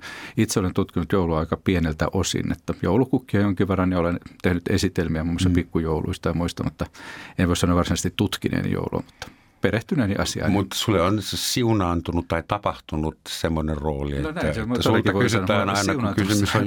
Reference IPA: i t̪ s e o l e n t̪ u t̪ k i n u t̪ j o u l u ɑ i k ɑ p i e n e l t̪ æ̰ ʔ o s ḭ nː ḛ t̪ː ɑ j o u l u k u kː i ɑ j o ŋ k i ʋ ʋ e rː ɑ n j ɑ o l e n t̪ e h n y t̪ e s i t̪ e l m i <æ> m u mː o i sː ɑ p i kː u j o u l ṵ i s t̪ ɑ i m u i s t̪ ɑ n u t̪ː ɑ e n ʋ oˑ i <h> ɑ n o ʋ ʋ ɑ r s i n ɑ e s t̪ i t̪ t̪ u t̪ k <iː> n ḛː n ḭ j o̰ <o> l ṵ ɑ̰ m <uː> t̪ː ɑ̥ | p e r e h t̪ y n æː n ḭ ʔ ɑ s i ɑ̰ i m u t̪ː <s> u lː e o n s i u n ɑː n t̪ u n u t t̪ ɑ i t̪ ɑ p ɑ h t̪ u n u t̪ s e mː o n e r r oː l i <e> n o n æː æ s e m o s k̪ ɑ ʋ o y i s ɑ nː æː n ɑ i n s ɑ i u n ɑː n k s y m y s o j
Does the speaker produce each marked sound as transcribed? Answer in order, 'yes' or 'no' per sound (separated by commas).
yes, no, no, no, no, yes, yes